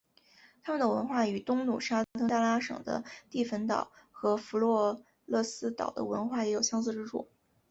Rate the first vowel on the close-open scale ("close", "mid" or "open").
open